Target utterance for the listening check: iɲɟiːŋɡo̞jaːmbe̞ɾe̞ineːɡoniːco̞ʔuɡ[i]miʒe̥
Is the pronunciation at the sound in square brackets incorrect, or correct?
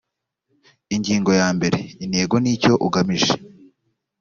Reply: incorrect